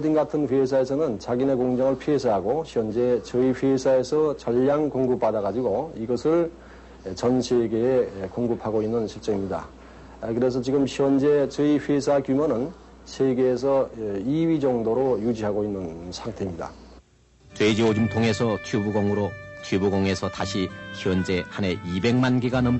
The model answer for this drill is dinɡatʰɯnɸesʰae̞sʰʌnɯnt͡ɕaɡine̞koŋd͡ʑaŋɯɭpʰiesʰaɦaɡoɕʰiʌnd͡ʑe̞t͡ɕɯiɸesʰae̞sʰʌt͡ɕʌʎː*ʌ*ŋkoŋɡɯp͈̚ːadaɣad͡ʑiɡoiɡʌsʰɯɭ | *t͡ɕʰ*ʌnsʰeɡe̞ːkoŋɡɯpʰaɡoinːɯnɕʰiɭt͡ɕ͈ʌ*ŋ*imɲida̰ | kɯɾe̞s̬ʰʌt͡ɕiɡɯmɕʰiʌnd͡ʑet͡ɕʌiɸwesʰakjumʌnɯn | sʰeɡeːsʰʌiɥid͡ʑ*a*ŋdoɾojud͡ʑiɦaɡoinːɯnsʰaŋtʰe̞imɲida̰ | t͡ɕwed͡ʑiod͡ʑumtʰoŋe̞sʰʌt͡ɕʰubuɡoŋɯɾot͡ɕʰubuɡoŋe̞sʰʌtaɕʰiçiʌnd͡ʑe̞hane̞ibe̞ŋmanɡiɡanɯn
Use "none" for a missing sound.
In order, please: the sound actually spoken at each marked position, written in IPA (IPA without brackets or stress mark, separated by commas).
a, t͡ɕ, ŋ, ʌ